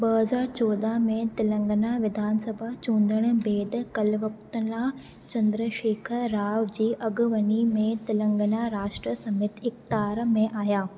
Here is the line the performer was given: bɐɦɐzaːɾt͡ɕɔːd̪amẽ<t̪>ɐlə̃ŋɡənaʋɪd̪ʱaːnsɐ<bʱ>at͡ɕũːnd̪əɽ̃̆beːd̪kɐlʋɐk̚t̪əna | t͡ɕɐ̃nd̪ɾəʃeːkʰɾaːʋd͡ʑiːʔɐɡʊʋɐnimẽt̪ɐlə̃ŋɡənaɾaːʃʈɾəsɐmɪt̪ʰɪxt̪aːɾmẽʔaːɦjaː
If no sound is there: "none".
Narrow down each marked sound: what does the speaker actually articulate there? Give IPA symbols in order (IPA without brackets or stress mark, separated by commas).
t̪, bʱ